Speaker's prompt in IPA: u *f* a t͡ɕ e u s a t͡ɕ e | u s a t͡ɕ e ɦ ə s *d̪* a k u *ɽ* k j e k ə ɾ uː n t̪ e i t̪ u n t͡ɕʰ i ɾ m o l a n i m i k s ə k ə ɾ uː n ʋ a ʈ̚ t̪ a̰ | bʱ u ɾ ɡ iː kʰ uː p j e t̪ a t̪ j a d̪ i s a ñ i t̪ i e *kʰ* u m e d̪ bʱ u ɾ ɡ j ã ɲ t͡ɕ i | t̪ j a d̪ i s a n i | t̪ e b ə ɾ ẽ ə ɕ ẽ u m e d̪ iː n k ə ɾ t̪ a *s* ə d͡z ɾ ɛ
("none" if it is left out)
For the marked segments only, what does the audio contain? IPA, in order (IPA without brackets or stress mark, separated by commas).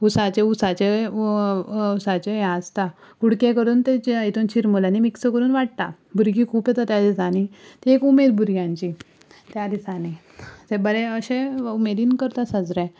s, t̪, ɽ, k, s